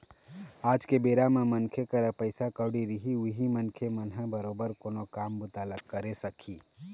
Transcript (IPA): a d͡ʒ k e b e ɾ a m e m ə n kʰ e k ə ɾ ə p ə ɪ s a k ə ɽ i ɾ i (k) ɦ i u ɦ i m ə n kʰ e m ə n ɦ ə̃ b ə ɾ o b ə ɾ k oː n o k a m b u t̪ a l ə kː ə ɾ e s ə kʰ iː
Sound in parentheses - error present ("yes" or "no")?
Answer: yes